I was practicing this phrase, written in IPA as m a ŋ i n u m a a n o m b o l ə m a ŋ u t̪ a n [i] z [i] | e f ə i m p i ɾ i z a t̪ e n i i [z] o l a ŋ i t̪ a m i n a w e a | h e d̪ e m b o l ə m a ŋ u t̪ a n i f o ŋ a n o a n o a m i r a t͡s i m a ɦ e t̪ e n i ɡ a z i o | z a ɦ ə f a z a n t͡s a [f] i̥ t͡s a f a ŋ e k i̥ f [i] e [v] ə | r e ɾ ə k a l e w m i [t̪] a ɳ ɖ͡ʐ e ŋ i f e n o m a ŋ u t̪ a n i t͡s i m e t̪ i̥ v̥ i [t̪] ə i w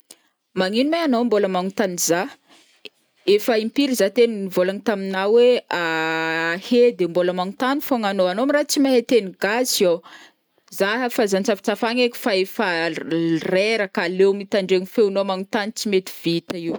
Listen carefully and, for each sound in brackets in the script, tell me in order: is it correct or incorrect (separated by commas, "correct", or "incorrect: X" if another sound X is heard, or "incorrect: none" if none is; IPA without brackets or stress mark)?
correct, incorrect: a, incorrect: v, correct, incorrect: a, incorrect: f, correct, correct